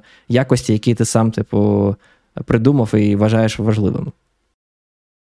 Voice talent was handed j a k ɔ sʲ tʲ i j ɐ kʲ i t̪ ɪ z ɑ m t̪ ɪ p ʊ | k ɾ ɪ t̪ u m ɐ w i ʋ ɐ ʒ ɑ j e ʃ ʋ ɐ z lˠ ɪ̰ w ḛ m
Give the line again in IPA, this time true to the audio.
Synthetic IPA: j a k ɔ sʲ tʲ i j ɐ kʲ i t̪ ɪ s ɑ m t̪ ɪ p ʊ | p ɾ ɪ d̪ u m ɐ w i ʋ ɐ ʒ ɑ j e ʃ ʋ ɐ ʒ lˠ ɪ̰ ʋ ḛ m